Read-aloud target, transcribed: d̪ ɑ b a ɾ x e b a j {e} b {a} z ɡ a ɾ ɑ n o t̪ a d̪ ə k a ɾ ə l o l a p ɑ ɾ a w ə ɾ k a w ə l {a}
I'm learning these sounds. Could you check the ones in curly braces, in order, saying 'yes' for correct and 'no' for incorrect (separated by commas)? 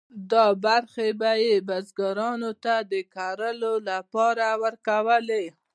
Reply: yes, yes, no